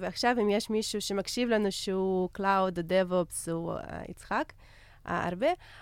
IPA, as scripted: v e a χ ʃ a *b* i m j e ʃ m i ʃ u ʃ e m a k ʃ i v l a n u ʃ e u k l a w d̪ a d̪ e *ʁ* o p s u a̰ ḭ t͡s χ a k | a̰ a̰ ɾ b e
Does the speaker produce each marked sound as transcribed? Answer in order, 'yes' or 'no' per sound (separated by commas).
no, no